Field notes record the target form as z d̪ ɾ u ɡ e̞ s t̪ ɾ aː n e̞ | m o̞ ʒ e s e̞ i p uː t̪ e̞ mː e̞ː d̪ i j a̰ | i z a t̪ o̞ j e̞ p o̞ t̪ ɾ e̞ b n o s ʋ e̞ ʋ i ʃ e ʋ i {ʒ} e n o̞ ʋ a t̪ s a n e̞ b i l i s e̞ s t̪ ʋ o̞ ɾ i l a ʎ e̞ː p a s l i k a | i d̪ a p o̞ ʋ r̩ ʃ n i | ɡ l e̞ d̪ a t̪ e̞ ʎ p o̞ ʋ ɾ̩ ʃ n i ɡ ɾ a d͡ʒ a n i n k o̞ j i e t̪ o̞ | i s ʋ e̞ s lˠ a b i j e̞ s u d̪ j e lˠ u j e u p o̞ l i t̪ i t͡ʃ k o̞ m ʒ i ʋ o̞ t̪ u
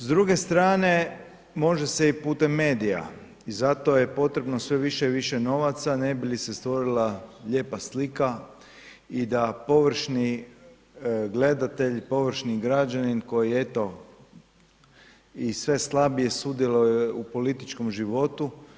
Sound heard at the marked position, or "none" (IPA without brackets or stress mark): ʃ